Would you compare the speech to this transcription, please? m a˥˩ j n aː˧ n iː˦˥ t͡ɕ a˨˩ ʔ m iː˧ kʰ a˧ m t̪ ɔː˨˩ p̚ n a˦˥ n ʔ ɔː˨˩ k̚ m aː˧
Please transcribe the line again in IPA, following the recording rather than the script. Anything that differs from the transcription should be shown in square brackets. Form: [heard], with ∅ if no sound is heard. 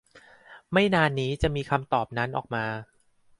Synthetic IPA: m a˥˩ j n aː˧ [nː] iː˦˥ t͡ɕ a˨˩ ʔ m iː˧ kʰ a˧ m t̪ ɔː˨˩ p̚ n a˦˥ n ʔ ɔː˨˩ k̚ m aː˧